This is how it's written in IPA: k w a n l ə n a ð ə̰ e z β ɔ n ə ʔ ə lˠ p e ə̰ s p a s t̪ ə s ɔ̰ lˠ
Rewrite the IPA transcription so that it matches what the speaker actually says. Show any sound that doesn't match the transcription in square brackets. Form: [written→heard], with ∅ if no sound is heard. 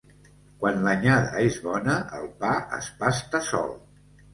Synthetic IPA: k w a n l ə [n→ɲ] a ð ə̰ e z β ɔ n ə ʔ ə lˠ p [e→a] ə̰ s p a s t̪ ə s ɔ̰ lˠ